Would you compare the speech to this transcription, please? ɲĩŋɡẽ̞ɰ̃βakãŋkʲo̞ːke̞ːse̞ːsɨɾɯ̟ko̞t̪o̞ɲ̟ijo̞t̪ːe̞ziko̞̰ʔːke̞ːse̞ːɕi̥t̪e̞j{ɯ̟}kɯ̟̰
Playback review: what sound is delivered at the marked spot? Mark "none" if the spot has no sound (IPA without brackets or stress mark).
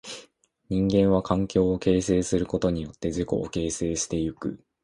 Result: ɯ̟